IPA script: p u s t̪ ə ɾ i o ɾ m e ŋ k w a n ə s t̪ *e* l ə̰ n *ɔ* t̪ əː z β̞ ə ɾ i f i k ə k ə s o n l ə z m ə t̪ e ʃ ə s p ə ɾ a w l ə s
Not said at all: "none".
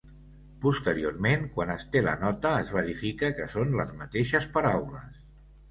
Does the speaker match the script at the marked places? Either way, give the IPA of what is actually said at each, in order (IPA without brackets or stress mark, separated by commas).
e, ɔ